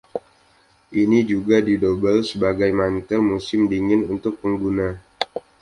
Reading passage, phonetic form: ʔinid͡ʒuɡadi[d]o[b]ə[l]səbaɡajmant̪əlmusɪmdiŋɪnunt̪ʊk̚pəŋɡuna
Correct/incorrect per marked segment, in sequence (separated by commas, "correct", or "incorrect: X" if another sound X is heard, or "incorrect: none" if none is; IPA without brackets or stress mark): correct, correct, correct